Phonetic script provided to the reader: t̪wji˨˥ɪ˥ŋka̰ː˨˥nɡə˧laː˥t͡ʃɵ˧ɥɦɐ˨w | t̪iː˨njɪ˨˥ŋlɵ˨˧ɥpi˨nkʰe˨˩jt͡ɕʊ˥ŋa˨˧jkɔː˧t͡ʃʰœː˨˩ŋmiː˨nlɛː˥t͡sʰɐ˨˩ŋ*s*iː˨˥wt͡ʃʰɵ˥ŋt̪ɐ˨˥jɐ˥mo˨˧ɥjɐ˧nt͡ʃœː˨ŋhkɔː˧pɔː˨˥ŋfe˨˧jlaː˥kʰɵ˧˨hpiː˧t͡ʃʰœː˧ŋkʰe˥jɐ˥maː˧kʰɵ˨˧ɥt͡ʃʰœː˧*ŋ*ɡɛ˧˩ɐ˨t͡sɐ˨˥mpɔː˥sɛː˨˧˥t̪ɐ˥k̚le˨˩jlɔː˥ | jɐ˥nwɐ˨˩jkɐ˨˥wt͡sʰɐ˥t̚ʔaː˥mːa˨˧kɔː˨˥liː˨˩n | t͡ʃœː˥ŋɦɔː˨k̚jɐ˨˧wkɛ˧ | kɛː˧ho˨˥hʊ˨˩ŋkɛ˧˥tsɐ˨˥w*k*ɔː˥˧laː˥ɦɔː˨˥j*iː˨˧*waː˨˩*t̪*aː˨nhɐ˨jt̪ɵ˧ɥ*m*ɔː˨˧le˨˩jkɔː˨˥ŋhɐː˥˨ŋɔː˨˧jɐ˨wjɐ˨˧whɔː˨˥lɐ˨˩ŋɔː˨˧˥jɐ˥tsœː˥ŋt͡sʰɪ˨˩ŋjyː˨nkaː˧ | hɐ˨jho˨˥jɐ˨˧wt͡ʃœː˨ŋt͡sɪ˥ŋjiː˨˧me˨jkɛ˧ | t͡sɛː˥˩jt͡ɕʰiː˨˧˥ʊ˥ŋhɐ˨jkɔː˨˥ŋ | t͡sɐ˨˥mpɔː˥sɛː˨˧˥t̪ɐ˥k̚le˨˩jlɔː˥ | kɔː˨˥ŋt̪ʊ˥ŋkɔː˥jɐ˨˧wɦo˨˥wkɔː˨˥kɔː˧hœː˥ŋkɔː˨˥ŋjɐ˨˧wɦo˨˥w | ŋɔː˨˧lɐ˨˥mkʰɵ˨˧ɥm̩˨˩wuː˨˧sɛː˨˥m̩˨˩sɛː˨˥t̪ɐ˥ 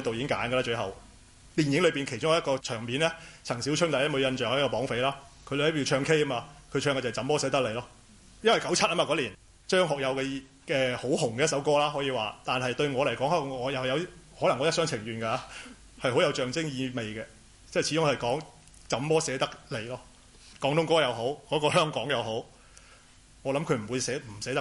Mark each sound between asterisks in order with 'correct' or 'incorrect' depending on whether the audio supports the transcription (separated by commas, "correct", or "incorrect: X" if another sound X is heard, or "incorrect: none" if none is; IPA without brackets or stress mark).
correct, correct, correct, correct, correct, incorrect: ŋ